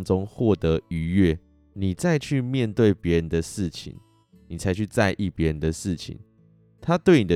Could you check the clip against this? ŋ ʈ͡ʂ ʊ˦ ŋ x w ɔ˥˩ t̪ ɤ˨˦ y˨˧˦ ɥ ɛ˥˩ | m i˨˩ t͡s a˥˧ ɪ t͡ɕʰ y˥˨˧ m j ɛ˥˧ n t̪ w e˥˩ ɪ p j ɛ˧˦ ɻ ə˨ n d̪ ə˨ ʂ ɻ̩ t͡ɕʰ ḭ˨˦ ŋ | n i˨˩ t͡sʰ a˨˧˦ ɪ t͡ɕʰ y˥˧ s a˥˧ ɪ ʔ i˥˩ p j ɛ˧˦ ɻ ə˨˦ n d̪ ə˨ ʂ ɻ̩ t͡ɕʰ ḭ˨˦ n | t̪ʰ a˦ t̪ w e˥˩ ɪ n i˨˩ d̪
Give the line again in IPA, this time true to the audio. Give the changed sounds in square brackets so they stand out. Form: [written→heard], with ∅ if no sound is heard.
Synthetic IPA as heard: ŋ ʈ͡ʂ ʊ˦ ŋ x w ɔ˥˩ t̪ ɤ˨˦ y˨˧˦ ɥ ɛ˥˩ | [m→n] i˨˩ t͡s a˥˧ ɪ t͡ɕʰ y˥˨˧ m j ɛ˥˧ n t̪ w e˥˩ ɪ p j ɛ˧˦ ɻ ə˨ n d̪ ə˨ ʂ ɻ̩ t͡ɕʰ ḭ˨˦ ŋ | n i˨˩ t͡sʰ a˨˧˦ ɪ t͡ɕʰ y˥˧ [s→t͡s] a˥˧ ɪ ʔ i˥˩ p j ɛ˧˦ ɻ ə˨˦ n d̪ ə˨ ʂ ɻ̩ t͡ɕʰ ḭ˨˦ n | t̪ʰ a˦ t̪ w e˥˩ ɪ n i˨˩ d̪